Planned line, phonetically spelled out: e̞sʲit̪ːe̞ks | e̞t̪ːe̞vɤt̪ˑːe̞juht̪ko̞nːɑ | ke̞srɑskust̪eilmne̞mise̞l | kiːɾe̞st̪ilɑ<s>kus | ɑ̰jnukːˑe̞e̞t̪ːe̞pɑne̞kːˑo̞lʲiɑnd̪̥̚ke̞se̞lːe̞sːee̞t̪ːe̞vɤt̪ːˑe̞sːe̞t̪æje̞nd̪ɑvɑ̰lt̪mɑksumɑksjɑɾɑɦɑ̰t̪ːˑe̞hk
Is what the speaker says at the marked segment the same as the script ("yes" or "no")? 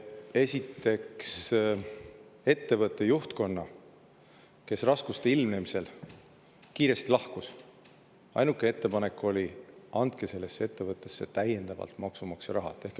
no